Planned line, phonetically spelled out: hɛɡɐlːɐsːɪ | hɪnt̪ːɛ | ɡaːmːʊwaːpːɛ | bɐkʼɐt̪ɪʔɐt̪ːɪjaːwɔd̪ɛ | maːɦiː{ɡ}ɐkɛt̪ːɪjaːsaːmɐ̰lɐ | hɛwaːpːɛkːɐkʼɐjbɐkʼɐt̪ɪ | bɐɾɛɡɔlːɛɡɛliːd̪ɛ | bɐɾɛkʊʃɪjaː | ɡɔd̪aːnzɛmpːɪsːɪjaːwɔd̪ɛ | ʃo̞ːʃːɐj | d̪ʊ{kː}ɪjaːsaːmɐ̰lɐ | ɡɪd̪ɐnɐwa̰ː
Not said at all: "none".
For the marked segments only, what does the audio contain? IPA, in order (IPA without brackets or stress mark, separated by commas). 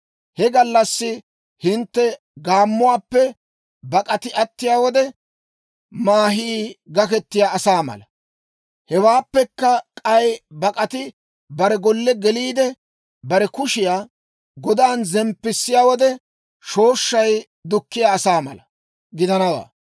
ɡ, kː